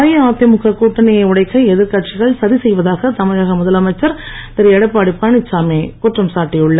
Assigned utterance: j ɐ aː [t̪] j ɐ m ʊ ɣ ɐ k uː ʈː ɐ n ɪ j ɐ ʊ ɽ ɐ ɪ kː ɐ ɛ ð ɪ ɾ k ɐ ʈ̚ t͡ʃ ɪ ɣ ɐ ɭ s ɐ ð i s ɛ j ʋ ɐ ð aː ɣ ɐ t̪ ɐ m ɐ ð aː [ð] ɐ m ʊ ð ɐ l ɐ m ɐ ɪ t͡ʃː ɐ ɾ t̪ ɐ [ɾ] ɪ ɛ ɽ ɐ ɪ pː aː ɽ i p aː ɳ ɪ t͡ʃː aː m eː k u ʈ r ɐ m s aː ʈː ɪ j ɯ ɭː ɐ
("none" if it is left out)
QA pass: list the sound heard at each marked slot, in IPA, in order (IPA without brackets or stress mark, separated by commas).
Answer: t̪, ɣ, ɾ